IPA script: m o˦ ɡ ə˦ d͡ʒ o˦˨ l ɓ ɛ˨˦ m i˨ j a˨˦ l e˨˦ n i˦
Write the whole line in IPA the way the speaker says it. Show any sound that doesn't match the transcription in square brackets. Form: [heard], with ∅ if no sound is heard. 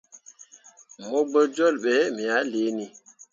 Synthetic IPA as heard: m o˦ [ɡ͡b] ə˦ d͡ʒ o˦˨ l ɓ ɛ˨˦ m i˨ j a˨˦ l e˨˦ n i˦